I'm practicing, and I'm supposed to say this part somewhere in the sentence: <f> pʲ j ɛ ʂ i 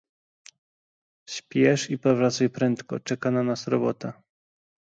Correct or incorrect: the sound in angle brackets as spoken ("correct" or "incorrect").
incorrect